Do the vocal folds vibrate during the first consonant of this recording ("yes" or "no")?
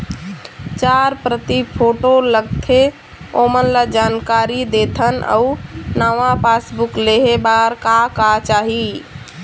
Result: no